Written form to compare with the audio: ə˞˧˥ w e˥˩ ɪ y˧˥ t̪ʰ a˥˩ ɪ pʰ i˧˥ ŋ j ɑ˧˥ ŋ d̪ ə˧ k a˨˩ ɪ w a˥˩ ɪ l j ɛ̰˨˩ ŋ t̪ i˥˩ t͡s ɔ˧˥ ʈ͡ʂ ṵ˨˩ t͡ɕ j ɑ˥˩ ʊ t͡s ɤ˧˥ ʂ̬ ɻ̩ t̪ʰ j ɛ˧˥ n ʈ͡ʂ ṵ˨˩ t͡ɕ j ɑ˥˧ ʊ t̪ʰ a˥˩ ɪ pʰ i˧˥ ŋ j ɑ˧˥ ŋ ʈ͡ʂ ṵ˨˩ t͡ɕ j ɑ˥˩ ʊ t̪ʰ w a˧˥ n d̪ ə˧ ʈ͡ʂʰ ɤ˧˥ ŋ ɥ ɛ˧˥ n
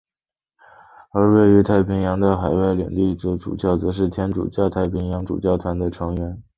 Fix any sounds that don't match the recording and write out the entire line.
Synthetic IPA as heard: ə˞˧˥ w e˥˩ ɪ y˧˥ t̪ʰ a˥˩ ɪ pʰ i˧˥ ŋ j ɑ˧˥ ŋ d̪ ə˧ x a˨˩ ɪ w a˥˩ ɪ l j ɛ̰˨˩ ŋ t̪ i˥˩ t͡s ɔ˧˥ ʈ͡ʂ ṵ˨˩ t͡ɕ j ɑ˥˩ ʊ t͡s ɤ˧˥ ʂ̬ ɻ̩ t̪ʰ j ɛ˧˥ n ʈ͡ʂ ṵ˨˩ t͡ɕ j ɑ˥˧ ʊ t̪ʰ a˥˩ ɪ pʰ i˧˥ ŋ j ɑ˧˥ ŋ ʈ͡ʂ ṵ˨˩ t͡ɕ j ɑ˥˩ ʊ t̪ʰ w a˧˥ n d̪ ə˧ ʈ͡ʂʰ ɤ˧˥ ŋ ɥ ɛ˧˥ n